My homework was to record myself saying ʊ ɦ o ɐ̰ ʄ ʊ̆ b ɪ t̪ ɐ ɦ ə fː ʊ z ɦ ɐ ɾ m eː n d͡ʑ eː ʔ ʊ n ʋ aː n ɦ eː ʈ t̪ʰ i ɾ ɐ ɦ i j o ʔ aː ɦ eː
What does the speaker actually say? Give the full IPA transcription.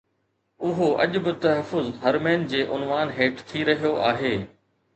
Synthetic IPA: ʊ ɦ o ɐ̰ ʄ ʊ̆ b ɪ t̪ ɐ ɦ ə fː ʊ z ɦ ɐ ɾ m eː n d͡ʑ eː ʔ ʊ n ʋ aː n ɦ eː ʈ t̪ʰ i ɾ ɐ ɦ i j o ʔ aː ɦ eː